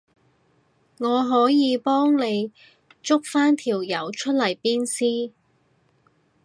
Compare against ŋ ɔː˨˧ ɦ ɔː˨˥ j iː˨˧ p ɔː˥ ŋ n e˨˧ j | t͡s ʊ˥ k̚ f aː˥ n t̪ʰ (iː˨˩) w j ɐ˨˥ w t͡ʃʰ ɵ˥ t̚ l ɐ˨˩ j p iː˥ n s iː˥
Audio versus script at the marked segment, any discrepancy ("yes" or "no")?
no